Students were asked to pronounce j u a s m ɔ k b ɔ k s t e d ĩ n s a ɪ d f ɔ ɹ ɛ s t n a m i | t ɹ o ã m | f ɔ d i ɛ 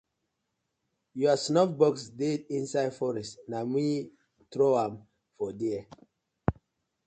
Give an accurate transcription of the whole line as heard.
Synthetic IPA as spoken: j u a s n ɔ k b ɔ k s d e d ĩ n s a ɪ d f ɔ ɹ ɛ s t n a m i | t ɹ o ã m | f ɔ d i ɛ